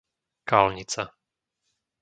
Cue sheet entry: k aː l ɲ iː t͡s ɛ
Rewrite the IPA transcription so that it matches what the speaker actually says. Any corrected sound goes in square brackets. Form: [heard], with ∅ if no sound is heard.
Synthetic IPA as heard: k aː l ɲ [i] t͡s [a]